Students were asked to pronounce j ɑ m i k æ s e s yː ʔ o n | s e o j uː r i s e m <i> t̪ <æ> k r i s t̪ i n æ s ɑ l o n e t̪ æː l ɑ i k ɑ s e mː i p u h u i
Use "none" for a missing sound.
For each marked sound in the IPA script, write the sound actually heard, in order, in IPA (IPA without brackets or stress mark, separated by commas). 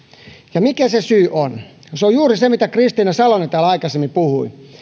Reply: i, æ